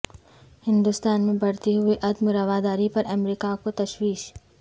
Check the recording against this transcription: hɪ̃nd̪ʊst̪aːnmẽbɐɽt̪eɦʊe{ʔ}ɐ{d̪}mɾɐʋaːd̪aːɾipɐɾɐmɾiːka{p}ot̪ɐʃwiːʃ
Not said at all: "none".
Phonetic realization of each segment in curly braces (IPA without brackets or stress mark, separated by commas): ʔ, d̪, k